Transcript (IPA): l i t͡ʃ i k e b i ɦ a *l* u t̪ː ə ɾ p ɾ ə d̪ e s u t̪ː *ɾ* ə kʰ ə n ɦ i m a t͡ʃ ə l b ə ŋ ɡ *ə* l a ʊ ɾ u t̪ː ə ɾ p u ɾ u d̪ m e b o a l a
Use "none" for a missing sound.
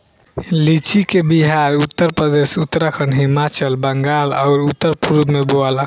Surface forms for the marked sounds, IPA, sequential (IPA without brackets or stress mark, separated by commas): ɾ, ɾ, a